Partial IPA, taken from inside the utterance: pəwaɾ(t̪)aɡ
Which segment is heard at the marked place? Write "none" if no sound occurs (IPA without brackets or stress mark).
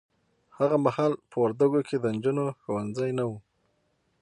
d̪